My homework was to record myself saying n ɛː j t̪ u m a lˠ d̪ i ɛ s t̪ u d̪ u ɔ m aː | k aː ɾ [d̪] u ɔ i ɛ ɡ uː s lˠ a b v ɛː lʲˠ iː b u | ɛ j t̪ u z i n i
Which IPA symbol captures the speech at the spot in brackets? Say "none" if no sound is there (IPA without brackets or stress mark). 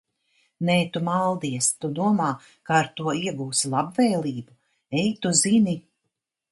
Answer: t̪